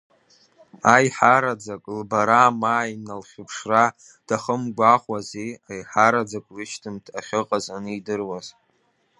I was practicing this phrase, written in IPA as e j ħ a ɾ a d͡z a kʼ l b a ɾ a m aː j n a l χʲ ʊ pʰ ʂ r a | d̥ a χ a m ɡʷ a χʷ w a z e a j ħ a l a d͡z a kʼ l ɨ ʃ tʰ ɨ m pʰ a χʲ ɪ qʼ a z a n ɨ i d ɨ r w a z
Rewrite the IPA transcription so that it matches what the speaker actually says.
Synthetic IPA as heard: a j ħ a ɾ a d͡z a kʼ l b a ɾ a m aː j n a l χʲ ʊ pʰ ʂ r a | d̥ a χ ə m ɡʷ a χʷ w a z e a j ħ a ɾ a d͡z a kʼ l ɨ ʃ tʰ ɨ m tʰ a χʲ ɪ qʼ a z a n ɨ i d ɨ r w a z